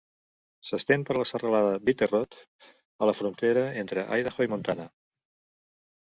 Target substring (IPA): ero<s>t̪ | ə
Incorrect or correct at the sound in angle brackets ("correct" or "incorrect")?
incorrect